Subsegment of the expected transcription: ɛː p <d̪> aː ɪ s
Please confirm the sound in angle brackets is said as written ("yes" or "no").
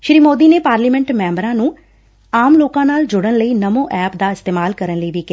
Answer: yes